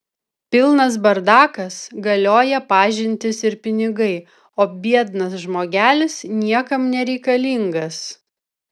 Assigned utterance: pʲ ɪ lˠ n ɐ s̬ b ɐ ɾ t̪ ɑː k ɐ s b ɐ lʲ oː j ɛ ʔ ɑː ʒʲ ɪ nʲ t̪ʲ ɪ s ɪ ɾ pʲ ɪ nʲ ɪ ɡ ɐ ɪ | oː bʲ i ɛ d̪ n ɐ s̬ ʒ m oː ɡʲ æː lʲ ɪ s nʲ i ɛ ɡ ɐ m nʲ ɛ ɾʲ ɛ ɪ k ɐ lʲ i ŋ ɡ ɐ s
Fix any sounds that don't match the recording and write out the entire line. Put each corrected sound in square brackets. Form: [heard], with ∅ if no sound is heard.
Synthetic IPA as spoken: pʲ ɪ lˠ n ɐ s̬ b ɐ ɾ [d̪] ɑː k ɐ s [ɡ] ɐ lʲ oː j ɛ [p] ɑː ʒʲ ɪ nʲ t̪ʲ ɪ s ɪ ɾ pʲ ɪ nʲ ɪ ɡ ɐ ɪ | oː bʲ i ɛ d̪ n ɐ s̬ ʒ m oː ɡʲ æː lʲ ɪ s nʲ i ɛ [k] ɐ m nʲ ɛ ɾʲ ɛ ɪ k ɐ lʲ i ŋ ɡ ɐ s